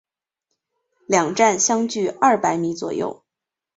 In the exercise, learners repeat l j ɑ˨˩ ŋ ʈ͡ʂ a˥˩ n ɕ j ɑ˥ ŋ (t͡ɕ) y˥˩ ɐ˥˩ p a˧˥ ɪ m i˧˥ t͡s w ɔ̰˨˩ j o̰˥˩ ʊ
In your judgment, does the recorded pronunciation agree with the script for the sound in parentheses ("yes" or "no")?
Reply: yes